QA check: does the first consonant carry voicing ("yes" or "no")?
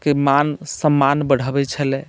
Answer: no